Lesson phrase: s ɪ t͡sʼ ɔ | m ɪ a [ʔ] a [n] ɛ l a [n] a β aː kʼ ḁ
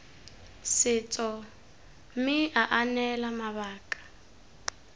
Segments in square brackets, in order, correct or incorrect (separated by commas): correct, correct, incorrect